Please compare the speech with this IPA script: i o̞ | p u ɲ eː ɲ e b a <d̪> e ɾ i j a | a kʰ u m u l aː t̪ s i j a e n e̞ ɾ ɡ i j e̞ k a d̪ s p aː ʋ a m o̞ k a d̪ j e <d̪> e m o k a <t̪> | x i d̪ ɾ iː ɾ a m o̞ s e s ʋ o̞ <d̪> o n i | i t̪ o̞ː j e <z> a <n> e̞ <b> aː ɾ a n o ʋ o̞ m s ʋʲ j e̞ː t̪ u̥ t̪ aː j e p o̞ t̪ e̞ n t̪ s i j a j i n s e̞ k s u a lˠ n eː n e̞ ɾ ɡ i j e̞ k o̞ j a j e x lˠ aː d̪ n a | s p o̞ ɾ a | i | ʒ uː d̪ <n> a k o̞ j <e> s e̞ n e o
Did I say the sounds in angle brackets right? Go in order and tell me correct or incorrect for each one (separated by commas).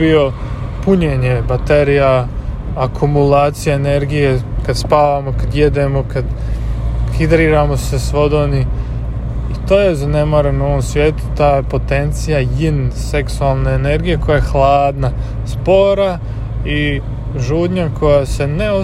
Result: incorrect, correct, incorrect, correct, correct, correct, incorrect, incorrect, incorrect